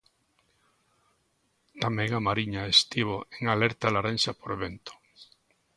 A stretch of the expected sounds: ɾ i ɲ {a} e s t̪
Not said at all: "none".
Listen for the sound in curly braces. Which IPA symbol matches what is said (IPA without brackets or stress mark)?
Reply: a